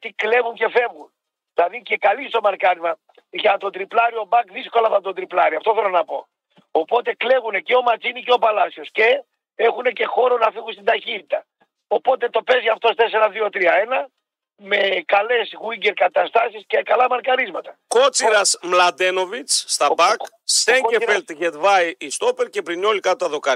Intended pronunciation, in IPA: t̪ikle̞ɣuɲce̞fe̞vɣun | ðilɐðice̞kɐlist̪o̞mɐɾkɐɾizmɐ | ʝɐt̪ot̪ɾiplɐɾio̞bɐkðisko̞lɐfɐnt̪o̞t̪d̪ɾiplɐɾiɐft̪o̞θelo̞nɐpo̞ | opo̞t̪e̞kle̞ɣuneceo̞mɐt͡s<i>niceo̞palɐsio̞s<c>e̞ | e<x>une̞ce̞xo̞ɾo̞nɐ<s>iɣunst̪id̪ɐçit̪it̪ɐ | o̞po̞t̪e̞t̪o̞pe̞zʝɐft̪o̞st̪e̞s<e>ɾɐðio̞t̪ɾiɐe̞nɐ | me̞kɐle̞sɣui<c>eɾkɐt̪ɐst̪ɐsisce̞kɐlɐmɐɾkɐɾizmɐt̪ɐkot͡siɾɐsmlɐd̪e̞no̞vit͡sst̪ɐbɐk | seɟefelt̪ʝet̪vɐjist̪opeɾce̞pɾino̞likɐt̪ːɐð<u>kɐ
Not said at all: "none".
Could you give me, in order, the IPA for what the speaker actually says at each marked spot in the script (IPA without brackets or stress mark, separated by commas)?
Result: i, c, x, f, e, ɟ, o